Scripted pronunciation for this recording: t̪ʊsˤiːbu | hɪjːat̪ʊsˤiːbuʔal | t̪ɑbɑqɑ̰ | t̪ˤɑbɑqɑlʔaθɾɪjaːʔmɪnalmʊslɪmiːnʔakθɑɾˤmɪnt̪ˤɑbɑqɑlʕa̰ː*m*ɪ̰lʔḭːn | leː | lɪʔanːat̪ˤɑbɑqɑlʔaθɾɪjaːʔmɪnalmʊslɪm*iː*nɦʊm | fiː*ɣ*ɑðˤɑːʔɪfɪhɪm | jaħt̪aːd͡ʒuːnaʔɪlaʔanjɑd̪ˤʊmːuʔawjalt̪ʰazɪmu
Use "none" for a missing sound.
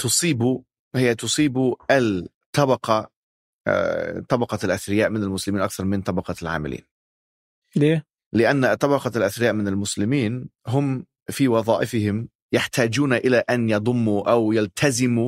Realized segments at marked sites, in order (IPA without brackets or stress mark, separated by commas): m, iː, w